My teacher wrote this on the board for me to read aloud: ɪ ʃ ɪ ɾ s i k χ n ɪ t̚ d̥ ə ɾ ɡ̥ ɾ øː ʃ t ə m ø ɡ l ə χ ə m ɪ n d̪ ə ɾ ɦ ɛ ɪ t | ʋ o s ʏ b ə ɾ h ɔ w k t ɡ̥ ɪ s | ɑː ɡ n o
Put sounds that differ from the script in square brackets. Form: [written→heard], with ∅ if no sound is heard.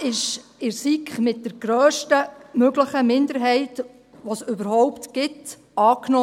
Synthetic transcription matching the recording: ɪ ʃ ɪ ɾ s i k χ [n→m] ɪ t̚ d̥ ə ɾ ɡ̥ ɾ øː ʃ t ə m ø ɡ l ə χ ə m ɪ n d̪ ə ɾ ɦ ɛ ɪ t | ʋ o s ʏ b ə ɾ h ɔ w [k→p] t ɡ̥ ɪ [s→t] | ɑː [ɡ→k] n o